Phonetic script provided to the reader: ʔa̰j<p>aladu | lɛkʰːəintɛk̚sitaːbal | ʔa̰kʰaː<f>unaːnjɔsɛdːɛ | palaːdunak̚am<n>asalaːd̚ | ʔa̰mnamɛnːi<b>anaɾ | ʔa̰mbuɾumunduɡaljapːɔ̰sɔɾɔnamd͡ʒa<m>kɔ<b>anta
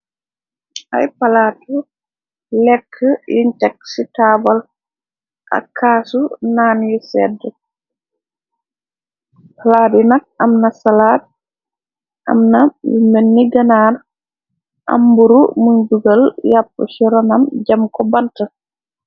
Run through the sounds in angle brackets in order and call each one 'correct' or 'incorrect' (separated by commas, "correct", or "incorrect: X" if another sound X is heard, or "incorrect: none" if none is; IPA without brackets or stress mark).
correct, incorrect: s, correct, incorrect: ɡ, correct, correct